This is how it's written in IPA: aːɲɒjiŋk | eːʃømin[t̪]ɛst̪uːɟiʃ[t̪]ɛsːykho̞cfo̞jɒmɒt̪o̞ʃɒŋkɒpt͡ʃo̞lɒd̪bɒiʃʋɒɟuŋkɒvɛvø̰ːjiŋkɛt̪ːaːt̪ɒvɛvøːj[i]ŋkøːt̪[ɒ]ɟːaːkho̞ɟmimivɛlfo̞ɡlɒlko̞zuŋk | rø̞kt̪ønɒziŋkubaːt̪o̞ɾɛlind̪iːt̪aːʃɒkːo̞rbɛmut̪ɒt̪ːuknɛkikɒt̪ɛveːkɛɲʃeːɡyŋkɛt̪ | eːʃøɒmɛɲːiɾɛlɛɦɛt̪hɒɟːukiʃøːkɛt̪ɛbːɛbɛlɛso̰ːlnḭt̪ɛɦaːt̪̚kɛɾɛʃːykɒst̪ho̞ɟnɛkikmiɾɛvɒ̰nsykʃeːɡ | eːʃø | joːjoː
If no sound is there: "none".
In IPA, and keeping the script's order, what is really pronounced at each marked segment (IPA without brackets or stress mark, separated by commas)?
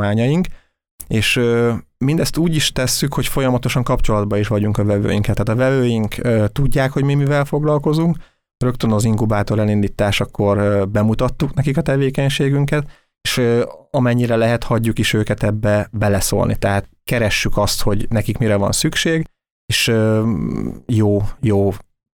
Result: d̪, t̪, i, u